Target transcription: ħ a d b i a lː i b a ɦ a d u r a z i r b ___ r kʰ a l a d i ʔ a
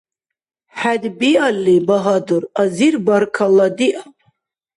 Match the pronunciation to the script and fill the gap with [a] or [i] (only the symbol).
a